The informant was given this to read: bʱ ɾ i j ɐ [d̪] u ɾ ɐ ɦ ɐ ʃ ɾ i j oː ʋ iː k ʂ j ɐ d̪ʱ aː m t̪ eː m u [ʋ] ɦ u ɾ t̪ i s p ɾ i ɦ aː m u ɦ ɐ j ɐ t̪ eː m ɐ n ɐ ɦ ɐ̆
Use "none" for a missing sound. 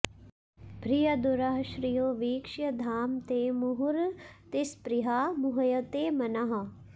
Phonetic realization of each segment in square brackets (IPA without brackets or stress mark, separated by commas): d̪, none